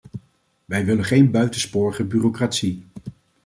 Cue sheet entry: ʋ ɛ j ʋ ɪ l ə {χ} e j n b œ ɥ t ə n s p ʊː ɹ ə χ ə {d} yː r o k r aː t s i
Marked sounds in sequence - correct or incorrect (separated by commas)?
correct, incorrect